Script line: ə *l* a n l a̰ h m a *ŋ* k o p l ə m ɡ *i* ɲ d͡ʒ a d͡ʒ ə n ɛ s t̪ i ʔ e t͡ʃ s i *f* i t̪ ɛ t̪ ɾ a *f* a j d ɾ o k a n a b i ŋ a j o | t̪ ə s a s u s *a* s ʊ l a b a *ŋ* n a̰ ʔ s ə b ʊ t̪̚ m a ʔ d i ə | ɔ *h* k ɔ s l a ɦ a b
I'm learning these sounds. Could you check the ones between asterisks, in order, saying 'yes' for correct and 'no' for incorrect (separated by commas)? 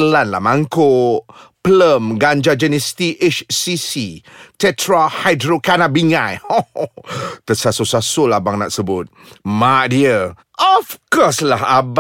yes, yes, no, no, no, yes, yes, no